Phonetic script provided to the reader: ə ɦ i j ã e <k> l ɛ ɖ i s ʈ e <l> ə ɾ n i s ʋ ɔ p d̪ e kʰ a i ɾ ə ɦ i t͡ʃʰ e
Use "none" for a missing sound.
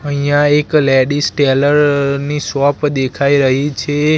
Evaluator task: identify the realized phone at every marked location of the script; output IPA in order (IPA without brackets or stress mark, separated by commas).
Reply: k, l